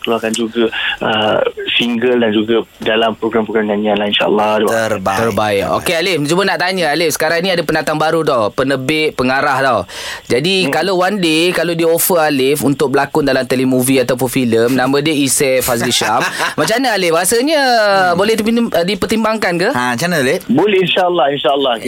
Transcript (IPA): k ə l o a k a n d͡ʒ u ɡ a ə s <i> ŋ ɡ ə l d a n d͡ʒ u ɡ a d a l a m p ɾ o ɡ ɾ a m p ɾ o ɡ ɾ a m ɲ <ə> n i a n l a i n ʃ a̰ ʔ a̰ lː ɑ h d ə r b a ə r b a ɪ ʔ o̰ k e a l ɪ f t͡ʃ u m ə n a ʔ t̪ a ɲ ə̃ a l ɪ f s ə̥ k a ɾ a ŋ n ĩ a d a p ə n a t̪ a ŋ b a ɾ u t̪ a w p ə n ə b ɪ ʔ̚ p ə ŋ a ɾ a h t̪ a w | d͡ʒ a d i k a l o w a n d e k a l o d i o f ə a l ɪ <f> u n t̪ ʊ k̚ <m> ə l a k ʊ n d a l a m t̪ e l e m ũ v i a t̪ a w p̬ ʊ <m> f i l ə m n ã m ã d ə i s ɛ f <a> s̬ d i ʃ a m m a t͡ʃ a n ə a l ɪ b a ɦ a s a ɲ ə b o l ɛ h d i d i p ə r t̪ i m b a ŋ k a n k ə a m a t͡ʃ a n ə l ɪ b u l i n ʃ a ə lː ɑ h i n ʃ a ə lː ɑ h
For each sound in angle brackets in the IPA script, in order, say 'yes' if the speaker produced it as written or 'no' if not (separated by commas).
yes, no, yes, no, no, yes